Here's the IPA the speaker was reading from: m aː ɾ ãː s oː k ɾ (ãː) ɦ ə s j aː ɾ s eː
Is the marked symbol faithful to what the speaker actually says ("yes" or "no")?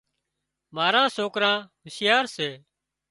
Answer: yes